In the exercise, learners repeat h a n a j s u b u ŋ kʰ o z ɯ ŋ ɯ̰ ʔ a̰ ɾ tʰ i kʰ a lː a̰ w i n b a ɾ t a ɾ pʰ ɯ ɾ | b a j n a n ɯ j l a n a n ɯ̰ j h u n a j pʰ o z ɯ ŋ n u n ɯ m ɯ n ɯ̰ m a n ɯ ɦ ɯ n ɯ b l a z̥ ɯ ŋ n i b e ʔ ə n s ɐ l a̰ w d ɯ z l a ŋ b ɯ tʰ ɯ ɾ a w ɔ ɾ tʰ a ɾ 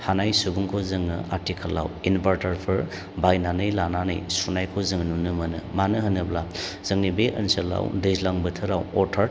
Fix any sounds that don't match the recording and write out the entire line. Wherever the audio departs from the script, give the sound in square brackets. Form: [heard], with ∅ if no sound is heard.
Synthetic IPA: h a n a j s u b u ŋ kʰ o z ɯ ŋ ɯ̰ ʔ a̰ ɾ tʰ i kʰ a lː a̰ w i n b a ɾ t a ɾ pʰ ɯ ɾ | b a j n a n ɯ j l a n a n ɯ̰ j [s] u n a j [kʰ] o z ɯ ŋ n u n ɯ m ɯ n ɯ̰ m a n ɯ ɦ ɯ n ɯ b l a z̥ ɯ ŋ n i b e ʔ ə n s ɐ l a̰ w d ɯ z l a ŋ b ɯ tʰ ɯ ɾ a w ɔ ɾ tʰ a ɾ